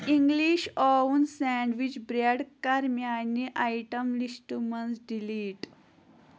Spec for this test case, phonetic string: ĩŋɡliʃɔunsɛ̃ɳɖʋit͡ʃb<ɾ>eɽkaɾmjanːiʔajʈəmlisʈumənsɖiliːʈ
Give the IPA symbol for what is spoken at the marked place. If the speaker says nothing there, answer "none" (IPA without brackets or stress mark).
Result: ɾ